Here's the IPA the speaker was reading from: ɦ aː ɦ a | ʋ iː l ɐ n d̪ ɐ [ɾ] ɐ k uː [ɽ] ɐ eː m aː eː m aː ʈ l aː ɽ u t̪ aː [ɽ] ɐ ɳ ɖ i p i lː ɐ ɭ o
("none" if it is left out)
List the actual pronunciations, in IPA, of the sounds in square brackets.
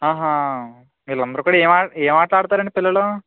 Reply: ɾ, ɽ, ɾ

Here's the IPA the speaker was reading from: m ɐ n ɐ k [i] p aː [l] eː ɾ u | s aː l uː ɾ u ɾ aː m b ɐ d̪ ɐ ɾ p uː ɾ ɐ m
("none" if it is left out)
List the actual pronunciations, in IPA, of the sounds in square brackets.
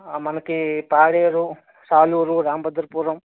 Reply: i, ɽ

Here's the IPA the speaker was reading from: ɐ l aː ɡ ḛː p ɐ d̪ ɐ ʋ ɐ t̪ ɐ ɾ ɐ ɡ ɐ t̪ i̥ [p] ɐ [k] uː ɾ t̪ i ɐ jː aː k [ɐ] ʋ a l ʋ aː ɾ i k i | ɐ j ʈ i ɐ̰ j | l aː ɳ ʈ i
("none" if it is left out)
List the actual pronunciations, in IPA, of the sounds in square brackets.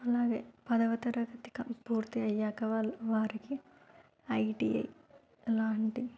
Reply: k, p, ɐ

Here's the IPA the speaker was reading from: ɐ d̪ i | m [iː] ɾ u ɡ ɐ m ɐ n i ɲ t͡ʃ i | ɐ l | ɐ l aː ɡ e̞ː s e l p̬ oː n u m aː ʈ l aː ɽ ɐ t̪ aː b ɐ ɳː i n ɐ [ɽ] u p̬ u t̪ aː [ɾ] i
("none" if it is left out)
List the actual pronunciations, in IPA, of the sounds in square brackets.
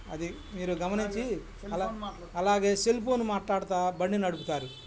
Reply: iː, ɽ, ɾ

